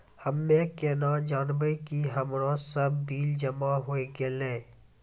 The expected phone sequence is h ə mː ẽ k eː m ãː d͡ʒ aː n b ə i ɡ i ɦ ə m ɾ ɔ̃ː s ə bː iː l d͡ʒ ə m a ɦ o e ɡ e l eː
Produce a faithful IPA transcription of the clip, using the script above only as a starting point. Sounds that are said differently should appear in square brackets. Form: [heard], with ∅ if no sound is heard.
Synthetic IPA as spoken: h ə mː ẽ k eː [n] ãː d͡ʒ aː n b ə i [k] i ɦ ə m ɾ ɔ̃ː s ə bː iː l d͡ʒ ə m a ɦ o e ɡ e l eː